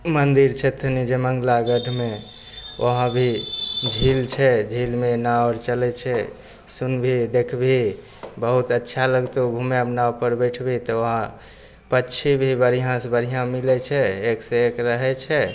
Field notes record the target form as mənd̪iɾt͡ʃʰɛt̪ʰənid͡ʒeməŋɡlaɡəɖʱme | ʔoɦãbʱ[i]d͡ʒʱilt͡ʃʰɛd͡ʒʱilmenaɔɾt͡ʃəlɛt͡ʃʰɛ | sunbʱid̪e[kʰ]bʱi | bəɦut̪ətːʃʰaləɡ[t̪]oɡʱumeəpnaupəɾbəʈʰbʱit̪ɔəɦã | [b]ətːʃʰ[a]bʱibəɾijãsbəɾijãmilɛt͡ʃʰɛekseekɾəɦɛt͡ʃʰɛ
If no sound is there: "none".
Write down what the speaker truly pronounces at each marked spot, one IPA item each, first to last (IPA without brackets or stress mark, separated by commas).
i, kʰ, t̪, p, i